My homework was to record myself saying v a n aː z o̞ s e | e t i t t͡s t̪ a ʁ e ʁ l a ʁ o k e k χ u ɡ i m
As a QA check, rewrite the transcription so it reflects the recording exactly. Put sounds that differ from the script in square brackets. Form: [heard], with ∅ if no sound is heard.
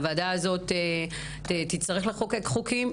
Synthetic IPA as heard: v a [d] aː z o̞ [t] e | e t i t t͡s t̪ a ʁ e [χ] l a [χ] o k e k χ u [k] i m